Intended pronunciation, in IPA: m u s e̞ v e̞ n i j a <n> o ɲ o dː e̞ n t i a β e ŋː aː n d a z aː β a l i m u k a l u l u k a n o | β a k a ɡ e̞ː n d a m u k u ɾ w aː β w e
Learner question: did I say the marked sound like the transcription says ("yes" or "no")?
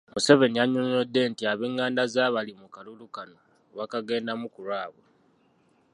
no